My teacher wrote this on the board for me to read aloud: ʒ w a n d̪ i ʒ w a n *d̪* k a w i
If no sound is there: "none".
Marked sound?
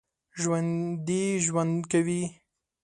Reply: d̪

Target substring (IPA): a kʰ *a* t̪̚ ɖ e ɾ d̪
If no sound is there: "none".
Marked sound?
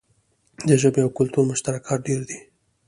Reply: ɑ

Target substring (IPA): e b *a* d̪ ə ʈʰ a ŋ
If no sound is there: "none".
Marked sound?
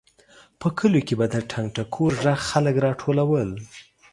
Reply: a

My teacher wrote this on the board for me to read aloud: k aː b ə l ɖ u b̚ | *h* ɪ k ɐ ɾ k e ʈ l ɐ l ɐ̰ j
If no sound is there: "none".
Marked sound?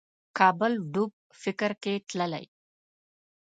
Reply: f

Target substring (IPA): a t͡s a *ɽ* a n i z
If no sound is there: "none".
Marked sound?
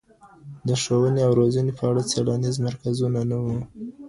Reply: ɽ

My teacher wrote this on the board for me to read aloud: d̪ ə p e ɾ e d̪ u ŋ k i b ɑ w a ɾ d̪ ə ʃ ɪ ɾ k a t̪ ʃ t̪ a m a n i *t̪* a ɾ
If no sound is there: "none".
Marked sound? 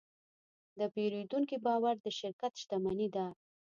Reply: d̪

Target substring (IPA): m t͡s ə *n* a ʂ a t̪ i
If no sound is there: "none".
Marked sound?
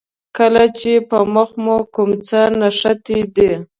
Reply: n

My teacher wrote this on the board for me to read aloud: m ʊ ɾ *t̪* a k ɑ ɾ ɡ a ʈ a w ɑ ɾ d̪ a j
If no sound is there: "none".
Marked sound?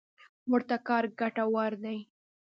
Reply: t̪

